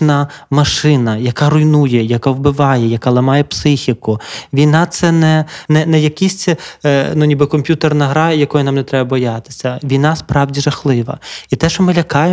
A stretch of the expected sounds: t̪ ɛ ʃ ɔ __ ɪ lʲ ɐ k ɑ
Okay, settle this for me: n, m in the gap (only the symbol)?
m